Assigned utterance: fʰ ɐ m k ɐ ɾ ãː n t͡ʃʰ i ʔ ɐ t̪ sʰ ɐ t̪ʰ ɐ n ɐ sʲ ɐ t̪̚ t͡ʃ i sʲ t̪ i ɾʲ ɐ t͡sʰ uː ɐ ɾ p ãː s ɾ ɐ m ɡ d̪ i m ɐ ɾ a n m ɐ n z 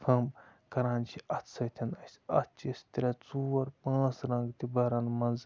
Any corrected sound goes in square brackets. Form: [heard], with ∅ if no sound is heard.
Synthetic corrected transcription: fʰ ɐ m k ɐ ɾ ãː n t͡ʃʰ i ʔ ɐ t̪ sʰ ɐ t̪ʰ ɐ n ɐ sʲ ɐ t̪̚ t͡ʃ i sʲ t̪ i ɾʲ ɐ [t͡s] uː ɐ ɾ p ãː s ɾ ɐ [ŋ] ɡ [t̪] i [b] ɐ ɾ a n m ɐ n z